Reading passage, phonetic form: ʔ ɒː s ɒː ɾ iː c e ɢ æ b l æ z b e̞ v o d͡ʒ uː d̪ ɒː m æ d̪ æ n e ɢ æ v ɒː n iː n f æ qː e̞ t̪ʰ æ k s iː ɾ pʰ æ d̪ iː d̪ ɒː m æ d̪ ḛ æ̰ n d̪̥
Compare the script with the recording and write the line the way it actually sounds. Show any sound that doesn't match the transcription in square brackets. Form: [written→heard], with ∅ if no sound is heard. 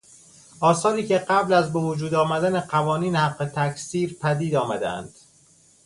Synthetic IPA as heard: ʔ ɒː s ɒː ɾ iː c e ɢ æ b l æ z b e̞ v o d͡ʒ uː d̪ ɒː m æ d̪ æ n e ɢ æ v ɒː n iː n [f→h] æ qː e̞ t̪ʰ æ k s iː ɾ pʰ æ d̪ iː d̪ ɒː m æ d̪ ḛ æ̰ n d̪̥